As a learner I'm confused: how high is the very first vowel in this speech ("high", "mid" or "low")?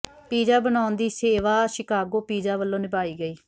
high